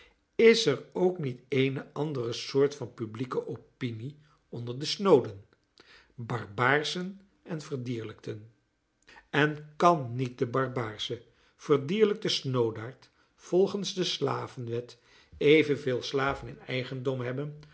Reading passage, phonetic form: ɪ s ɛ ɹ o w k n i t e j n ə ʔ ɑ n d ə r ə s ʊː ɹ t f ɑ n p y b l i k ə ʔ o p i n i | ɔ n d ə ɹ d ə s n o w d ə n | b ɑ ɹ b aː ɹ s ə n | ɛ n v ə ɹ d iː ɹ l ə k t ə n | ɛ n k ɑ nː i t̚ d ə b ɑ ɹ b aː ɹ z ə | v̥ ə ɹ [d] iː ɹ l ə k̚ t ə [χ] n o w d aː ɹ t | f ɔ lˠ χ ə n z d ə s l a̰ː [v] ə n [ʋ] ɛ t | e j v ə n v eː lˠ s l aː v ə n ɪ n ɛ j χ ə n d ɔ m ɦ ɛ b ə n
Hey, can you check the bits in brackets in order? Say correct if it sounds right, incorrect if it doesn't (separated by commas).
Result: correct, incorrect, correct, correct